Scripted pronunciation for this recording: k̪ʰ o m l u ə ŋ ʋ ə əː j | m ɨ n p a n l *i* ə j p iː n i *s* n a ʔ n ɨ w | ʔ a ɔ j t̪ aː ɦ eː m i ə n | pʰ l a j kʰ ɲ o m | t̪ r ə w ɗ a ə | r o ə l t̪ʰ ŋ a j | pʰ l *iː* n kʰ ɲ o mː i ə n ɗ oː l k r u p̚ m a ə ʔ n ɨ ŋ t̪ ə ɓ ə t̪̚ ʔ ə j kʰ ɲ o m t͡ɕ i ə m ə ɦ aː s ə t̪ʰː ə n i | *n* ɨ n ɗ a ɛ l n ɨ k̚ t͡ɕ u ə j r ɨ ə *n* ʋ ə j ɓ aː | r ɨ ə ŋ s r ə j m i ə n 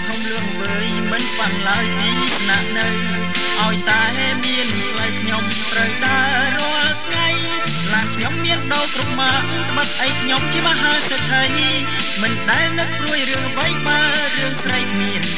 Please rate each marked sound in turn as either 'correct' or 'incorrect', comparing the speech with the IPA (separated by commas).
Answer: incorrect, correct, incorrect, incorrect, incorrect